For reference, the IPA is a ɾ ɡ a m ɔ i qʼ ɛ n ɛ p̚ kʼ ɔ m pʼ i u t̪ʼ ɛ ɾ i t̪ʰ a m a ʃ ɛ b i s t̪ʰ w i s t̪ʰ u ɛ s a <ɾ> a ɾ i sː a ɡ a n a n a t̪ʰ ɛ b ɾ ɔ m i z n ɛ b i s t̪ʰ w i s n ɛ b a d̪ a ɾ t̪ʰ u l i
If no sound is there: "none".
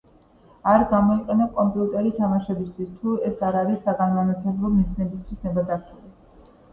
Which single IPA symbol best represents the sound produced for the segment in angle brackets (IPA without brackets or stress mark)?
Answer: ɾ